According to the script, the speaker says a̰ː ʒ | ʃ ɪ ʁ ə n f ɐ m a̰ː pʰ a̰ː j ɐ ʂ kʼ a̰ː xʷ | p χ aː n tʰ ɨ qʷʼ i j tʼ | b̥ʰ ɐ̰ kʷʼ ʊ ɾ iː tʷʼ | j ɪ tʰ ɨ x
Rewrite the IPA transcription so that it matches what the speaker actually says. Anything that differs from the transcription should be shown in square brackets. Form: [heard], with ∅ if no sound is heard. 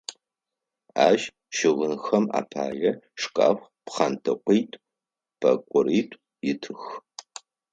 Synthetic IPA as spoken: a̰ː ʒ | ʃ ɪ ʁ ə n [x] ɐ m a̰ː pʰ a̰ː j ɐ ʂ kʼ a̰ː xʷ | p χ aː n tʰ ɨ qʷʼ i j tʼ | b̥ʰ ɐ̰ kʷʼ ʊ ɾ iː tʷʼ | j ɪ tʰ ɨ x